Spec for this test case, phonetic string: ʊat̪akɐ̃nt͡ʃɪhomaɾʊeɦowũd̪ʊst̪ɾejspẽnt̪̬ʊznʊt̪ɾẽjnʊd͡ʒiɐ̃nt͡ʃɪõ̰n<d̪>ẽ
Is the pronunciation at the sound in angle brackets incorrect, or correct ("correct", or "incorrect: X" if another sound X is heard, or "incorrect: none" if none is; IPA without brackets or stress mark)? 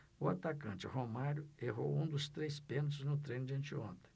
incorrect: t̪